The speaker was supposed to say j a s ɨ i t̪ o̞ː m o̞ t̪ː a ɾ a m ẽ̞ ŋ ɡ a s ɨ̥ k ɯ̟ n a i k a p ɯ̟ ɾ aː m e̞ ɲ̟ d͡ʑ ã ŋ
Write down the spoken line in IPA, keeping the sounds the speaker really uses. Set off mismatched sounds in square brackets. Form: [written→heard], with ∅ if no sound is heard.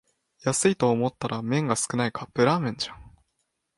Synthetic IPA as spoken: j a s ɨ i t̪ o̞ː m o̞ t̪ː a ɾ a m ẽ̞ ŋ ɡ a s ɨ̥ k ɯ̟ n a i k a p ɯ̟ ɾ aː m [e̞→ẽ̞] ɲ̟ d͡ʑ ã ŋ